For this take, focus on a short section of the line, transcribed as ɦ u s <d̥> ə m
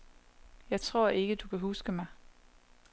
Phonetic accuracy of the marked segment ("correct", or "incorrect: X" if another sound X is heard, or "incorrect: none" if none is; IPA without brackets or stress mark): incorrect: ɡ̥